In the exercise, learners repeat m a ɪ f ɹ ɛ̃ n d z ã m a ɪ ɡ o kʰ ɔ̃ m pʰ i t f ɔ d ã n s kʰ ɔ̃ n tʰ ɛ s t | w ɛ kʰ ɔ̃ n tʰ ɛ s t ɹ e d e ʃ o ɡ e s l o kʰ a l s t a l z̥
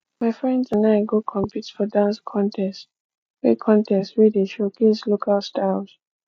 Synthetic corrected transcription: m a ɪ f ɹ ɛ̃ n d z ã n a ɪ ɡ o kʰ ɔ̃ m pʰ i t f ɔ d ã n s kʰ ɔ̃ n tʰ ɛ s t | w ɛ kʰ ɔ̃ n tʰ ɛ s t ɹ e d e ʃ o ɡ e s l o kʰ a l s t a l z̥